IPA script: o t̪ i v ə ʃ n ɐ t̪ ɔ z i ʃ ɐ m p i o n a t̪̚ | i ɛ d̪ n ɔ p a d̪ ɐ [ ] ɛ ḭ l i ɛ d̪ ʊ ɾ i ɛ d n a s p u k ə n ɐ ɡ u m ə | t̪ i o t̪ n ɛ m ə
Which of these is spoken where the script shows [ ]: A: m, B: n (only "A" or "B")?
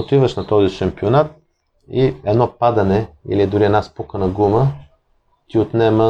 B